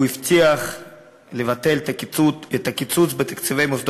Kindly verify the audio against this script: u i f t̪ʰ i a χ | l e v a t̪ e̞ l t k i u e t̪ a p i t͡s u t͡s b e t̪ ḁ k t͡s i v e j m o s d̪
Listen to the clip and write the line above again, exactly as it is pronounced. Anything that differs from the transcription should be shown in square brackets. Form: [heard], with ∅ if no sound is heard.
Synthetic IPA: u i f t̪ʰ i a χ | l e v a t̪ e̞ l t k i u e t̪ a [k] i t͡s u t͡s b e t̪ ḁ k t͡s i v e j m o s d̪